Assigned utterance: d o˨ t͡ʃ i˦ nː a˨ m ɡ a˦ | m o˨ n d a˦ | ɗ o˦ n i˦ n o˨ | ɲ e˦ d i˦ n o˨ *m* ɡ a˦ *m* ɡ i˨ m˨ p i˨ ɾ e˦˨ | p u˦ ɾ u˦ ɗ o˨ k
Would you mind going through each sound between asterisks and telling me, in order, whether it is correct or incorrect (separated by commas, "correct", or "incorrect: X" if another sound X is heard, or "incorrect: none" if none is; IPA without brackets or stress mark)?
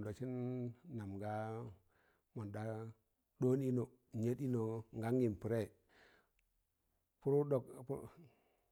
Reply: incorrect: ŋ, incorrect: ŋ